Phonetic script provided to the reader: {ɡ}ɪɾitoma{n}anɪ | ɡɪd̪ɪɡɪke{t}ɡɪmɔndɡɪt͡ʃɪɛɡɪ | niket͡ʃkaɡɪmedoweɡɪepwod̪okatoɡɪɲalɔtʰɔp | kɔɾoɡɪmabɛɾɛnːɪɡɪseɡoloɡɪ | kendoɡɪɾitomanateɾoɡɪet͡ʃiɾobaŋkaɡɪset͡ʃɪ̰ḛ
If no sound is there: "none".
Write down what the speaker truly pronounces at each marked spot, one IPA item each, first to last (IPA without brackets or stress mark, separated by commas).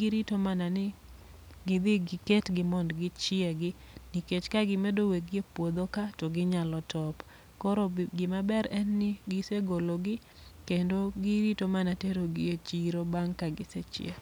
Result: ɡ, n, t